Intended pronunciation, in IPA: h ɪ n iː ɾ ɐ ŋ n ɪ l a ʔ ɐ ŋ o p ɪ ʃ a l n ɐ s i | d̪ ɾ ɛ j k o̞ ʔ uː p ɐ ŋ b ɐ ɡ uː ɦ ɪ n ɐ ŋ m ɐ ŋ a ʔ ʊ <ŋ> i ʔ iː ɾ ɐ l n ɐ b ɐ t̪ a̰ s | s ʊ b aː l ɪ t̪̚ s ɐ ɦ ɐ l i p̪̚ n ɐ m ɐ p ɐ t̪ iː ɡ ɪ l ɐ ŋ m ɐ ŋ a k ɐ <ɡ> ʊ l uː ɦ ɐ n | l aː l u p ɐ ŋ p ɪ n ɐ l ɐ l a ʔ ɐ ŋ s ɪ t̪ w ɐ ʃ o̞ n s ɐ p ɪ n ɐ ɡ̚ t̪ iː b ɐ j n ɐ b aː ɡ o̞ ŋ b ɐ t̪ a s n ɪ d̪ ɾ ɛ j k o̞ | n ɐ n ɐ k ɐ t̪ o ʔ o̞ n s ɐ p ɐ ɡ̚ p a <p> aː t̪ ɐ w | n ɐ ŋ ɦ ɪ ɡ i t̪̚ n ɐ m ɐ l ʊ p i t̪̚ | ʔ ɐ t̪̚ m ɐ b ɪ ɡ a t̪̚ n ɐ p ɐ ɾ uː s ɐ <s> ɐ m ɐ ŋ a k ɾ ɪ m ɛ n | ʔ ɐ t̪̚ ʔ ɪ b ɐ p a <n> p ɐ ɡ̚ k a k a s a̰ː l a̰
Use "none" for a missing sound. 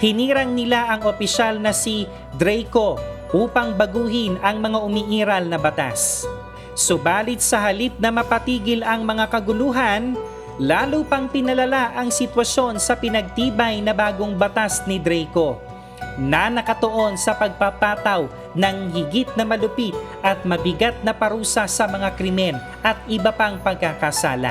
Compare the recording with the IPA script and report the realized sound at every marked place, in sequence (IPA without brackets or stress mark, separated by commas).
m, ɡ, p, s, ŋ